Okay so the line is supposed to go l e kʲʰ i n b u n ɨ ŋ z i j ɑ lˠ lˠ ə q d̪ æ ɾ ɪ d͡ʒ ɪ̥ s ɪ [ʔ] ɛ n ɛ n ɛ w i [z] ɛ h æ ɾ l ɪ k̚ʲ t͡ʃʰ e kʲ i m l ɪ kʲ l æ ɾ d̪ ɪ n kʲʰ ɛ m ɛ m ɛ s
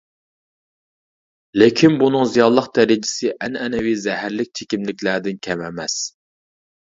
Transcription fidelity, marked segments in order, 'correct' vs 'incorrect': correct, correct

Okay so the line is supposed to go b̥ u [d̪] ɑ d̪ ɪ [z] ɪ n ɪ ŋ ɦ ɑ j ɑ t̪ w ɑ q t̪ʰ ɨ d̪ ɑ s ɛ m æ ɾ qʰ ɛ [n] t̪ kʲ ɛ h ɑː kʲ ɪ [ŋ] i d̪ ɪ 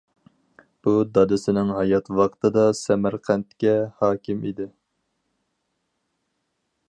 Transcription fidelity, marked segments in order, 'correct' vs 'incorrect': correct, incorrect, correct, incorrect

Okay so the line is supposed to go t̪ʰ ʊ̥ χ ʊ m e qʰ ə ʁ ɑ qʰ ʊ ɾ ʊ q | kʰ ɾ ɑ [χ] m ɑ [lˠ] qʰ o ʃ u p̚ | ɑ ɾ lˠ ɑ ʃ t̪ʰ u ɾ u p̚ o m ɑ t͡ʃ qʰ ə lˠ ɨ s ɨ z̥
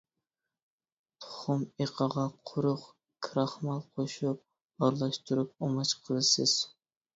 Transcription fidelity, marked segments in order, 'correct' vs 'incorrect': correct, correct

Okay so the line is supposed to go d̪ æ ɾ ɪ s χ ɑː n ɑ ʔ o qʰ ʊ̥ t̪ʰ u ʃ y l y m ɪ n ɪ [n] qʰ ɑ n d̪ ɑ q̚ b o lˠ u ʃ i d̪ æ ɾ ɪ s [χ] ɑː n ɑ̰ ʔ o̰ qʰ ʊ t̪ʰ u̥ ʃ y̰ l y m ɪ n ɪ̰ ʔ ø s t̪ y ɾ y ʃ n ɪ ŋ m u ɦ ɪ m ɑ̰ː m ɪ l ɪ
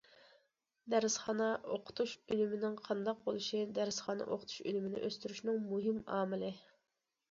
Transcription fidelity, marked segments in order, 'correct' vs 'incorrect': incorrect, correct

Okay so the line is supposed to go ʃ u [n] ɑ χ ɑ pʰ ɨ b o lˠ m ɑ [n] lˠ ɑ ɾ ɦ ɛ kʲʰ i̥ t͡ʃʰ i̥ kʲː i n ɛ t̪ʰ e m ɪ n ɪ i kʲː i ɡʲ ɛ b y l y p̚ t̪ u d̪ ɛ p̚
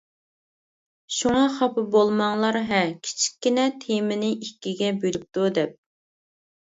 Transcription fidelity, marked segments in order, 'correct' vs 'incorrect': incorrect, incorrect

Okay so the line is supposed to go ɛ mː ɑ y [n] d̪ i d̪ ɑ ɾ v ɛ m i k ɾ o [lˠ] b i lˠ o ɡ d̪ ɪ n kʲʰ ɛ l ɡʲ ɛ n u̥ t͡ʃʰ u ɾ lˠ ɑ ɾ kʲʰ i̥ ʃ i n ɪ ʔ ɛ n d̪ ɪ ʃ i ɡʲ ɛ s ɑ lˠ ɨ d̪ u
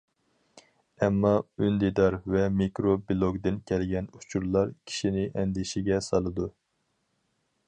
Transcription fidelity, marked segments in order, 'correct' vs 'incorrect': correct, incorrect

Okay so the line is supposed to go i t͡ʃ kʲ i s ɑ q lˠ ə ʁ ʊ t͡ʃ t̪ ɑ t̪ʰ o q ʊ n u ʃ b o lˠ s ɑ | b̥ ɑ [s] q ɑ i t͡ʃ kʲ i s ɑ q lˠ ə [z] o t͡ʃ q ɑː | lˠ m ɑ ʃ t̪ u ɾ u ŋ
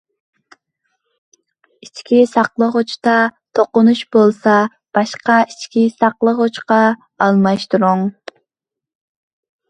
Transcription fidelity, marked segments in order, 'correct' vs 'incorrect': incorrect, incorrect

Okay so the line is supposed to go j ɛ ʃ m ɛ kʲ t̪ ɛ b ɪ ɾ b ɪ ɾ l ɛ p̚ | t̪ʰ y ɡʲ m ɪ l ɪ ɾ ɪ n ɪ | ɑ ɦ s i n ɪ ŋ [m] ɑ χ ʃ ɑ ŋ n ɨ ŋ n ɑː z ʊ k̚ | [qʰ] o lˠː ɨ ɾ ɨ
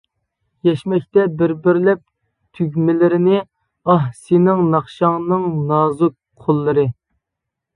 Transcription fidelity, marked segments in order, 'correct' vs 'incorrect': incorrect, correct

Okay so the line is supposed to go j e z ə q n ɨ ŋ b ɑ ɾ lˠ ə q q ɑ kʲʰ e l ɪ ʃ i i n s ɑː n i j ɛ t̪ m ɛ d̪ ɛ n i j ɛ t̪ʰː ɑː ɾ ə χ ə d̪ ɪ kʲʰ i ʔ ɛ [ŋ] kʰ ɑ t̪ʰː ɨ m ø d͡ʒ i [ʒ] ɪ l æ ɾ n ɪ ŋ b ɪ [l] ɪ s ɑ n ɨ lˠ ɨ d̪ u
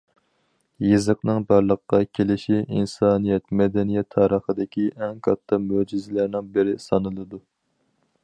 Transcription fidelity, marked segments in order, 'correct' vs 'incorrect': correct, incorrect, incorrect

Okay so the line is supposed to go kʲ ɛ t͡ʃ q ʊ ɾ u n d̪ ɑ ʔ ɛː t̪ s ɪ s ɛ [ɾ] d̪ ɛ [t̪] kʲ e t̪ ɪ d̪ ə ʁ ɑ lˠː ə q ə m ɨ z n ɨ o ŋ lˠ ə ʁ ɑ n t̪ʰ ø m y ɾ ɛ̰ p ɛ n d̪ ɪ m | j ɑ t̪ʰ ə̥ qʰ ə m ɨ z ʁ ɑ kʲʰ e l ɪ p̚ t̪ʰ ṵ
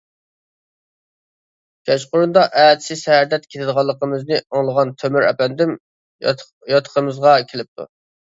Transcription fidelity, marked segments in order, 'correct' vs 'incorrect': correct, correct

